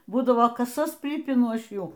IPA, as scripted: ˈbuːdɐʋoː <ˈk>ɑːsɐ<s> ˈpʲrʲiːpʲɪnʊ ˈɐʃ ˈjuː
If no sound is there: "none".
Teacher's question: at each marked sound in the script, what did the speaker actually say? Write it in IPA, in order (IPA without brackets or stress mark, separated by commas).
k, s